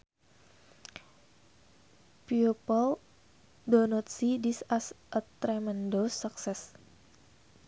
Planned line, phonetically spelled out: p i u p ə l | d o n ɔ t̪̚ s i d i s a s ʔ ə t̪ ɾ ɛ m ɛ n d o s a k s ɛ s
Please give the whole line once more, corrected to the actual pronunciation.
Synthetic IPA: p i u p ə l | d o n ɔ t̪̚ s i d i s a s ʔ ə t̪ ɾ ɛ m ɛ n d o s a k s ɛ s